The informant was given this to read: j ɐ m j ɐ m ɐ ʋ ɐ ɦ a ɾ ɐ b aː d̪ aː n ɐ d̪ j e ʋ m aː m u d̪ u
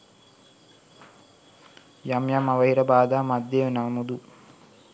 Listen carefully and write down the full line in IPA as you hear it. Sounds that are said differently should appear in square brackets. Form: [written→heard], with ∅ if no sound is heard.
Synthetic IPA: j ɐ m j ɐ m ɐ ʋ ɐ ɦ [a→i] ɾ ɐ b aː d̪ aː [n→m] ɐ d̪ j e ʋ [m→n] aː m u d̪ u